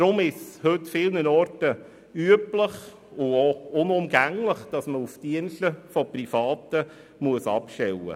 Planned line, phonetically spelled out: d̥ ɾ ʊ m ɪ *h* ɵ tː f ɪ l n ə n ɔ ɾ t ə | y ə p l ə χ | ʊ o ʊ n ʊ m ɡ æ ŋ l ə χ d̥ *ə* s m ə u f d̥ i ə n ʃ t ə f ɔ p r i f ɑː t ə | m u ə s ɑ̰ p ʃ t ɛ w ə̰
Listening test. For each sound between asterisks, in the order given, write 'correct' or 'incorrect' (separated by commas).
correct, incorrect